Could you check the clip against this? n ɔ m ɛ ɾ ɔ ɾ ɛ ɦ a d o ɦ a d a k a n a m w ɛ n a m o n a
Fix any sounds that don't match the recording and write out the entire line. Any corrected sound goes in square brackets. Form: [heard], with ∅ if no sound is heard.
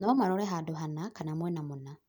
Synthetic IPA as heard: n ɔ m [a] ɾ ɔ ɾ ɛ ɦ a d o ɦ a [n] a k a n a m w ɛ n a m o n a

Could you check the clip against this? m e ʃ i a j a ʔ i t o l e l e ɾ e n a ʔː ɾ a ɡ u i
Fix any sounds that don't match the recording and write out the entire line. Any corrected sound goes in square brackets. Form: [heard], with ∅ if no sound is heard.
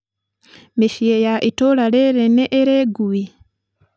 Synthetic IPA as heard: m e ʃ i [e] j a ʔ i t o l [a] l e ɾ e n [e] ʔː ɾ [e] ɡ u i

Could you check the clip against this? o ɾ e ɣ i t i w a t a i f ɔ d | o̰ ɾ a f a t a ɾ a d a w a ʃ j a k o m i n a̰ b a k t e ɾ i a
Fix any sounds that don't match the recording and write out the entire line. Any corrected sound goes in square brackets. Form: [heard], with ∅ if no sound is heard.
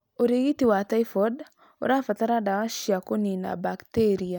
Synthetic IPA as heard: o ɾ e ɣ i t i w a t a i f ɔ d | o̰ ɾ a f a t a ɾ a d a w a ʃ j a k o [n] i n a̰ b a k t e ɾ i a

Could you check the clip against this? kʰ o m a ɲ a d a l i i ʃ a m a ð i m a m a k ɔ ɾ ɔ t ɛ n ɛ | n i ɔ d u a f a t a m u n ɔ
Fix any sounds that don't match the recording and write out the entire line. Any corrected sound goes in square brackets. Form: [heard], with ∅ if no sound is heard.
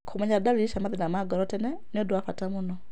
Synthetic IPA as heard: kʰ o m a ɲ a d a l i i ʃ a m a ð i [n] a m a [ɡ] ɔ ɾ ɔ t ɛ n ɛ | n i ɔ d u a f a t a m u n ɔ

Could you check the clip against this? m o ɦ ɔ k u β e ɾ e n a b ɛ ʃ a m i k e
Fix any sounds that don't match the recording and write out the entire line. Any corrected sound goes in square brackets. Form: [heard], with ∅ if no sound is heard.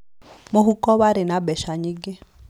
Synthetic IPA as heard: m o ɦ [u] k [ɔ] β [a] ɾ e n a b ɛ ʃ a [ɲ] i [ɡ] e

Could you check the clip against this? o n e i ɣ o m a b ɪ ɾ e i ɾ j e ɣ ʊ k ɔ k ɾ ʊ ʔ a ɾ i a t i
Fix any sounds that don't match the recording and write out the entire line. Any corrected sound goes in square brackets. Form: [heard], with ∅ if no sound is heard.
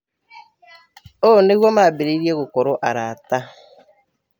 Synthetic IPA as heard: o n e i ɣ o m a b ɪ ɾ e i ɾ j e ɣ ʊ k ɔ [∅] ɾ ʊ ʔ a ɾ [a] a t [a]

